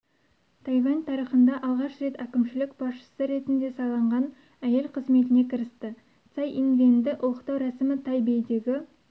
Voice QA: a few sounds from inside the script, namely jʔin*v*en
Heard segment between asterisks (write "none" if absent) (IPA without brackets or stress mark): v